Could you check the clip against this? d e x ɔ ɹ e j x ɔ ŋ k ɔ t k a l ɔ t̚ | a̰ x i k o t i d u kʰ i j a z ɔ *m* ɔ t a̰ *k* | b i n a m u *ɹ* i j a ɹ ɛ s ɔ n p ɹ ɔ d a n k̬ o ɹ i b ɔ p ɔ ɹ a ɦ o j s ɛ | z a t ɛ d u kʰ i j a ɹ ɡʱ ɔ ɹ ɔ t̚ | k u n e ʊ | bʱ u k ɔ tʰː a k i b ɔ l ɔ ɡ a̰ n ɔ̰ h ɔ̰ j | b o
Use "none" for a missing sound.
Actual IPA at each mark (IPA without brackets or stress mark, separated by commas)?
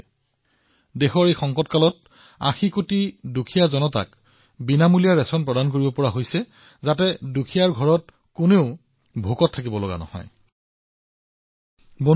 n, k, l